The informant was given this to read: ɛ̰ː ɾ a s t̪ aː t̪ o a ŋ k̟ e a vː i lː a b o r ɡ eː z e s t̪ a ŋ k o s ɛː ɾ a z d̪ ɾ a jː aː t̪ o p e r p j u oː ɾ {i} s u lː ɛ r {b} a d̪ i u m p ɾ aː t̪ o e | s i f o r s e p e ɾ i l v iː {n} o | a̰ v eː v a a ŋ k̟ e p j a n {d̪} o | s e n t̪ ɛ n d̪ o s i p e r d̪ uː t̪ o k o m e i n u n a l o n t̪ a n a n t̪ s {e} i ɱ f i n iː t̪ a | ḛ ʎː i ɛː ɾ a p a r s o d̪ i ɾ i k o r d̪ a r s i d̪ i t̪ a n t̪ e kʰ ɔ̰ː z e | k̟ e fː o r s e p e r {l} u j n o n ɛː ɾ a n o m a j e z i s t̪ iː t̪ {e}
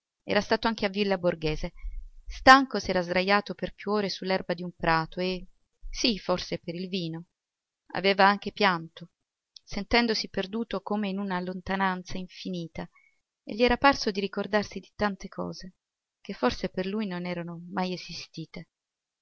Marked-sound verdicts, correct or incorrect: incorrect, correct, correct, incorrect, incorrect, correct, correct

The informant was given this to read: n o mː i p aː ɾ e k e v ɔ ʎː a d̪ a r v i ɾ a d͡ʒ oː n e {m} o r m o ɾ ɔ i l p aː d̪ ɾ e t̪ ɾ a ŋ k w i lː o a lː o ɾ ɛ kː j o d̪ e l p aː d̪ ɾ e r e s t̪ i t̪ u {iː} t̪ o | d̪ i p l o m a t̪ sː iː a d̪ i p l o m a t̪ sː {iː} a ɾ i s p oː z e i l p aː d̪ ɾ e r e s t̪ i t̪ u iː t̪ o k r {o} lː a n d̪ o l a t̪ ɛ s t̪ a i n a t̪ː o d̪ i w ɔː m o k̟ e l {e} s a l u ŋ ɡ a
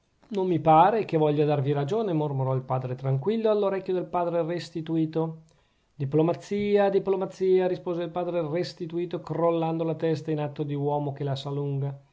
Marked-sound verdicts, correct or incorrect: correct, correct, correct, correct, incorrect

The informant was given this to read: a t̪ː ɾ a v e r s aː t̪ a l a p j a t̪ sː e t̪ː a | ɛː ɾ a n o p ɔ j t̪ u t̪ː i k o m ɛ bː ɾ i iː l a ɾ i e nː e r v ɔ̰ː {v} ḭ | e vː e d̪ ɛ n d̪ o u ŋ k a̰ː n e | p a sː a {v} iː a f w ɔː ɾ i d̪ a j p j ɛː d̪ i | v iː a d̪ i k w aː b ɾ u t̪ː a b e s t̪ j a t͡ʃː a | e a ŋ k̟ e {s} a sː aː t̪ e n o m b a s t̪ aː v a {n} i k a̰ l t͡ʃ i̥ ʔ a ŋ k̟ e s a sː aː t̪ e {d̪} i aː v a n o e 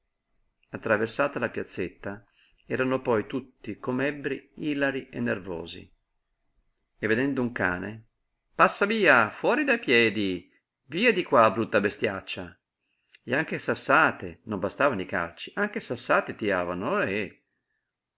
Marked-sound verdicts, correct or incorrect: incorrect, correct, correct, correct, incorrect

